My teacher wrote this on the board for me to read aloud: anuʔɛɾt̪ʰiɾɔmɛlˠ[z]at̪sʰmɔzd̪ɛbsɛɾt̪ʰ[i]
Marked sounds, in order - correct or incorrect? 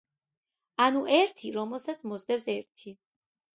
incorrect, correct

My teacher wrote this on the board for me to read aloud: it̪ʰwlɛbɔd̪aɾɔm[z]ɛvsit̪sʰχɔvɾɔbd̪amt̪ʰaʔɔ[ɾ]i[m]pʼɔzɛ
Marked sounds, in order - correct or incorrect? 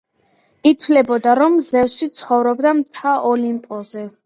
correct, incorrect, correct

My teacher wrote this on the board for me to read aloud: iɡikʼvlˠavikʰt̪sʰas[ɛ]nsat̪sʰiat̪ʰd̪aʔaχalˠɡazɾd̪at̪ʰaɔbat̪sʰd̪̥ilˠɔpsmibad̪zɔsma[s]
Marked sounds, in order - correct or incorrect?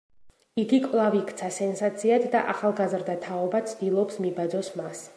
correct, correct

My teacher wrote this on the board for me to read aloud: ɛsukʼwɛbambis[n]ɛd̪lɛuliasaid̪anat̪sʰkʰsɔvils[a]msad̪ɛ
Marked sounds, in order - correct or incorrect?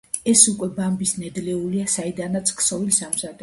correct, correct

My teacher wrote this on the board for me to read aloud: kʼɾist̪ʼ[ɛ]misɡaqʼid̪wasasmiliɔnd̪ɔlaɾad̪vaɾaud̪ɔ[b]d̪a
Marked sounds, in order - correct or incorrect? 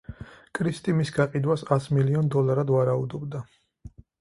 incorrect, correct

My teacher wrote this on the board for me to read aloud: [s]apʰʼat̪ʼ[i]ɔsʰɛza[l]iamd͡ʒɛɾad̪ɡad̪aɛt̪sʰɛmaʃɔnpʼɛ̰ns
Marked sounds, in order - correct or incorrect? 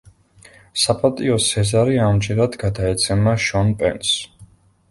correct, correct, incorrect

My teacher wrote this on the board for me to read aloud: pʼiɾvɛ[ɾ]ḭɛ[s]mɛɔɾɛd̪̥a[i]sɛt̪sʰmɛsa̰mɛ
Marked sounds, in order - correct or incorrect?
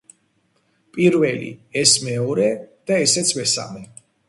incorrect, correct, incorrect

